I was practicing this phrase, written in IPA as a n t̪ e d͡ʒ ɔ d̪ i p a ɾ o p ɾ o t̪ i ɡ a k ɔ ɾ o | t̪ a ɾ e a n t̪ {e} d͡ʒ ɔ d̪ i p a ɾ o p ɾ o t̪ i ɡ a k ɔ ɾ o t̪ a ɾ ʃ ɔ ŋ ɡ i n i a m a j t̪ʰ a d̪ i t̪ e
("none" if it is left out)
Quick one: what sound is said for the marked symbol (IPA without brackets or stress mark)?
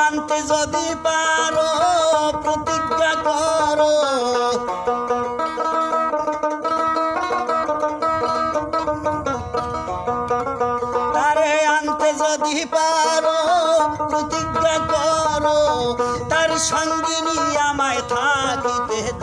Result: e